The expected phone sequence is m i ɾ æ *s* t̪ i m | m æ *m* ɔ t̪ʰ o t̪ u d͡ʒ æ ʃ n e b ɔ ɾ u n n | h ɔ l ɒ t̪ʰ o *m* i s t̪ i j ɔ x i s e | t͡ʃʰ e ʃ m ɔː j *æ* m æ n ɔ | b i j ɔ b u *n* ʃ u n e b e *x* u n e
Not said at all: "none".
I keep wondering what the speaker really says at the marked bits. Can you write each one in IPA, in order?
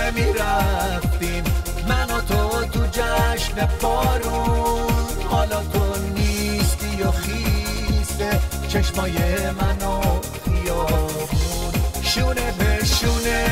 f, n, n, e, n, ʃ

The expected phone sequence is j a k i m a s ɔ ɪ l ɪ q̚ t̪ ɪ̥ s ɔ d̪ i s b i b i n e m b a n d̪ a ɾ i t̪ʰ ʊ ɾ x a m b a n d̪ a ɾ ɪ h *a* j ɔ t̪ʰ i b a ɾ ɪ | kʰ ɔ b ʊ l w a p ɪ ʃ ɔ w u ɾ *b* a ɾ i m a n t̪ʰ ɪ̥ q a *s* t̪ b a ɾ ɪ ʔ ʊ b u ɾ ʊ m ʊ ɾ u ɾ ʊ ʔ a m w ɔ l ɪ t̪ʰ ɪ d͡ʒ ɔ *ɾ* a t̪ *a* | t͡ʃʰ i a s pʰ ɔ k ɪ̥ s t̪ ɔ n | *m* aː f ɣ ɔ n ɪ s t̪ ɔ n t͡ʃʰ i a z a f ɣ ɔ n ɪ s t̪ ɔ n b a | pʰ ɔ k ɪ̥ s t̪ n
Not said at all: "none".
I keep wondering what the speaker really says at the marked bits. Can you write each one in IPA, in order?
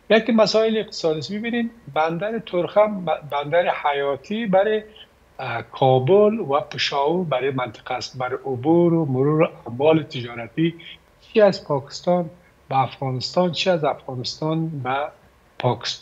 a, b, s, ɾ, i, b

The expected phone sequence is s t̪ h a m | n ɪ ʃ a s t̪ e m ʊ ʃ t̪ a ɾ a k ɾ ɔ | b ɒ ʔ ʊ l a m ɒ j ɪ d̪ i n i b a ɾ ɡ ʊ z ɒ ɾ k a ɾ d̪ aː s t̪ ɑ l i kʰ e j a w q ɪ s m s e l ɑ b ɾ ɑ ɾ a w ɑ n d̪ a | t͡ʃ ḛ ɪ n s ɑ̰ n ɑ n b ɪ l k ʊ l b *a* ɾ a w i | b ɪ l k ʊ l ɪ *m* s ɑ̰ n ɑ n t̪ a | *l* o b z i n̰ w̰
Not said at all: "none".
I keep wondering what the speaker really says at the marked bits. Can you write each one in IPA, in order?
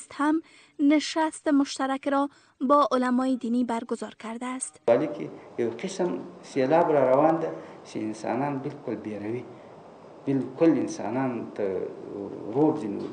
e, n, ɾ

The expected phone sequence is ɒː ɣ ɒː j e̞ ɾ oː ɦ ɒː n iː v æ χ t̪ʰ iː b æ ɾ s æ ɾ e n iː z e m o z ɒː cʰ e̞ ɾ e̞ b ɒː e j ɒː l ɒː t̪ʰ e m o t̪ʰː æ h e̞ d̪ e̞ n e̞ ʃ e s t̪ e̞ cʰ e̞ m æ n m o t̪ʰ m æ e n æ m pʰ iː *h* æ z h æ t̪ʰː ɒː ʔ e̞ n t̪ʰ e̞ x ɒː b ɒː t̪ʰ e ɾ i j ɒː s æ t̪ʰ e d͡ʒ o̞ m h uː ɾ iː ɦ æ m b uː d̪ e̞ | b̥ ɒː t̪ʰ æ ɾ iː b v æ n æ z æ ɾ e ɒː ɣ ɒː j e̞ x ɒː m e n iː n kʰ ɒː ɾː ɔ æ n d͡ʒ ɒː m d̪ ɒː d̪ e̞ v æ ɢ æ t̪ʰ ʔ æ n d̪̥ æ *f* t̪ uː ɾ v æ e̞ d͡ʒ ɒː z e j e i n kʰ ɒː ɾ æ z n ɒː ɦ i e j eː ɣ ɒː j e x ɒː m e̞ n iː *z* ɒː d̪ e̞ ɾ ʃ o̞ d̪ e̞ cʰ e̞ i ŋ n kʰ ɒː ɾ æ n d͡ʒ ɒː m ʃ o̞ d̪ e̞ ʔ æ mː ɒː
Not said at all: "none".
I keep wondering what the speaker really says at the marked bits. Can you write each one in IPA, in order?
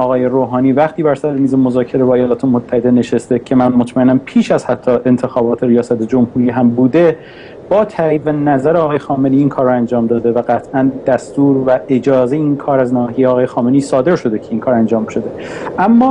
ʃ, s, s

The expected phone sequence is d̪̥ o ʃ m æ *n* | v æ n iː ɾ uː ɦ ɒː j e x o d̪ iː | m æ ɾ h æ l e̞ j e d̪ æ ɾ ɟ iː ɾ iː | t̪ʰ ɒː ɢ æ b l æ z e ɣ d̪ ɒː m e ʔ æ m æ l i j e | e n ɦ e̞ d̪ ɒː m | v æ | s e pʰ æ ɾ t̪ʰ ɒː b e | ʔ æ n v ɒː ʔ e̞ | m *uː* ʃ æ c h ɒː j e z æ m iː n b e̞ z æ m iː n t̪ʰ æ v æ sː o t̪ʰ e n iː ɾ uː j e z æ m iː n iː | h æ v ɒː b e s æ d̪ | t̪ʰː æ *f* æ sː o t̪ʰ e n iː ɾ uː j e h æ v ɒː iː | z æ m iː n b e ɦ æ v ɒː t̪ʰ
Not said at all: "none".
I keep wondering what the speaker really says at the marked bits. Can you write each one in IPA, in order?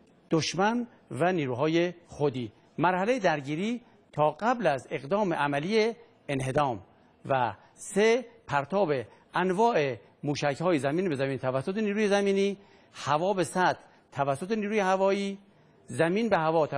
n, uː, v

